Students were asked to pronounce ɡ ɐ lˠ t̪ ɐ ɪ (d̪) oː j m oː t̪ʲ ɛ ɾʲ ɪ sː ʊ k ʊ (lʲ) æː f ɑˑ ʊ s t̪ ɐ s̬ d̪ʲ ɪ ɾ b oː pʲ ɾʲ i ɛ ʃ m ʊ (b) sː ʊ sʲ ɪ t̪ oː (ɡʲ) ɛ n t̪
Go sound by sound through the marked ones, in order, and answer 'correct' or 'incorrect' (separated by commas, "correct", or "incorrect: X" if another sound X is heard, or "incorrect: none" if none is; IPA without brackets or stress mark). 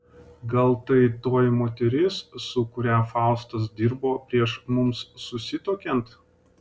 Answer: incorrect: t̪, incorrect: ɾʲ, incorrect: m, incorrect: kʲ